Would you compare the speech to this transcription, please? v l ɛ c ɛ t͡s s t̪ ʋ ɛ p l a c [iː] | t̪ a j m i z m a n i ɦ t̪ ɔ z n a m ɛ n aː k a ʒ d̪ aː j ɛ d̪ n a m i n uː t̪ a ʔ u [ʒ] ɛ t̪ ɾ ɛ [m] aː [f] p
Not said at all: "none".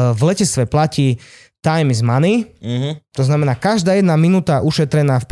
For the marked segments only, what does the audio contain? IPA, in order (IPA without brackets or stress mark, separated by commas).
iː, ʃ, n, f